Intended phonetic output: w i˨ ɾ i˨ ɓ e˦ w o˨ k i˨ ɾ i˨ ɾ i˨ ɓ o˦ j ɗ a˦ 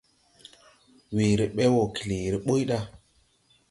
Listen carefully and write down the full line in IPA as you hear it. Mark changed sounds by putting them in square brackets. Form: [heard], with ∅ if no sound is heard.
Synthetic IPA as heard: w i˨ ɾ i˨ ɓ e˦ w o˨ k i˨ [l] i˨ ɾ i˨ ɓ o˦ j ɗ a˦